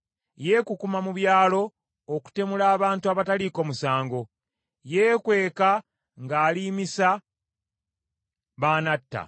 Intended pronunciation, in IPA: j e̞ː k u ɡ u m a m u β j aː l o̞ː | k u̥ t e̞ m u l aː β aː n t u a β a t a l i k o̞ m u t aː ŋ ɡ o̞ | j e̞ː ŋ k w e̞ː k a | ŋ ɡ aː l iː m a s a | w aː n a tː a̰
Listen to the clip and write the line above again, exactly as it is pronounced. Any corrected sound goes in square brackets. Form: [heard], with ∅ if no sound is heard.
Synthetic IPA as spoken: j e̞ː k u [k] u m a m u β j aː l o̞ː | k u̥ t e̞ m u l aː β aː n t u a β a t a l i k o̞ m u [s] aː ŋ ɡ o̞ | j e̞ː [∅] k w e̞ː k a | ŋ ɡ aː l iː m [i] s a | [β] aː n a tː a̰